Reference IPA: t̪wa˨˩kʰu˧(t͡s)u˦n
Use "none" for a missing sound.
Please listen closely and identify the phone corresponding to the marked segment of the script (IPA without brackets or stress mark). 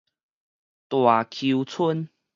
t͡sʰ